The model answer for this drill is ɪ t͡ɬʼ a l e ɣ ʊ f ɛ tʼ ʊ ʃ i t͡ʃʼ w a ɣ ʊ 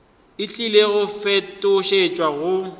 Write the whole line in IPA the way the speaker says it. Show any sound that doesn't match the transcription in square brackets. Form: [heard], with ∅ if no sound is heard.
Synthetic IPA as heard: ɪ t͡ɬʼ [i] l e ɣ ʊ f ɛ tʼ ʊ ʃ [e] t͡ʃʼ w a ɣ ʊ